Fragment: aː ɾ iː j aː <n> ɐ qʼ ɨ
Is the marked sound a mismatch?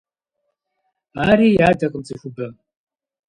yes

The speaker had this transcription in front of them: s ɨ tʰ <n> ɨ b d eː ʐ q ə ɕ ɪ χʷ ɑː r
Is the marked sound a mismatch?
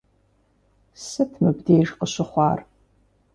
yes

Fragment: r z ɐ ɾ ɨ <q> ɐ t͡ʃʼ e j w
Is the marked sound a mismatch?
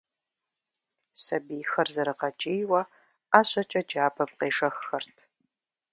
no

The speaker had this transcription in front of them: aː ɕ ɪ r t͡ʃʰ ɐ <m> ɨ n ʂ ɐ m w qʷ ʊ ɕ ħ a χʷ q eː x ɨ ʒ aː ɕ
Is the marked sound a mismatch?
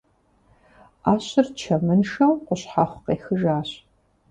no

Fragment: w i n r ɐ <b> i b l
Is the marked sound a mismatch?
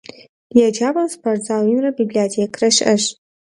no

